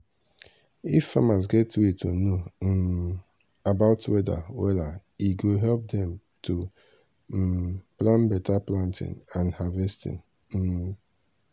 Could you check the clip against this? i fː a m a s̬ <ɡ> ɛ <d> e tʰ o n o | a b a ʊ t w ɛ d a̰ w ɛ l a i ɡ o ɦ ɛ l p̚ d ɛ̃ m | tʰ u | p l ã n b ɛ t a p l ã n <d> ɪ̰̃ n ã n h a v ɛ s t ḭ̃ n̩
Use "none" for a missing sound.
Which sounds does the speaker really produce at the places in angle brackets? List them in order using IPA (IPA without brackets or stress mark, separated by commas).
ɡ, t, t